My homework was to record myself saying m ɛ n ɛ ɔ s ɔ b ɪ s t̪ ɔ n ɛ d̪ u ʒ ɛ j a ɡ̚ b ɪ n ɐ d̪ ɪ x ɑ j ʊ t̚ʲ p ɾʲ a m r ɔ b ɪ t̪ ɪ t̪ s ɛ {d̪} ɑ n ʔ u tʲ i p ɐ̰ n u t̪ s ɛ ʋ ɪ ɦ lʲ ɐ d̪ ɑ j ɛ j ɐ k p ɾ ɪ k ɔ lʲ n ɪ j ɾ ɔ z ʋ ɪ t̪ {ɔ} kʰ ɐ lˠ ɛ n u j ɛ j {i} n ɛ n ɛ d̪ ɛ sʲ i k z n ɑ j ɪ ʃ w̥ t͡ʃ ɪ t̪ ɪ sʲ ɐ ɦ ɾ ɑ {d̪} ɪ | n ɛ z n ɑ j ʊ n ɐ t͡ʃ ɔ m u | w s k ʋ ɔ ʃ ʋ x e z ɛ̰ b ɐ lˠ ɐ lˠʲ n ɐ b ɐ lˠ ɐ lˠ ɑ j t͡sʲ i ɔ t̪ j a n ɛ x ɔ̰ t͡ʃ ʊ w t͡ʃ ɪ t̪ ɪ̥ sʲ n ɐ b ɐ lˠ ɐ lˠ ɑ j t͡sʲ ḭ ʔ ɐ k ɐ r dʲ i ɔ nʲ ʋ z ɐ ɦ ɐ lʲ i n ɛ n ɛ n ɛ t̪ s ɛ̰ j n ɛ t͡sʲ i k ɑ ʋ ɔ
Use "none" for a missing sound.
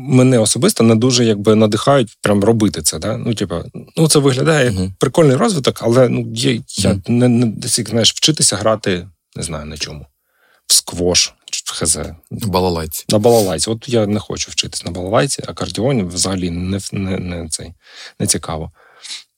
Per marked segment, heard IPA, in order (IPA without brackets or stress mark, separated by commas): d̪, ɔ, a, t̪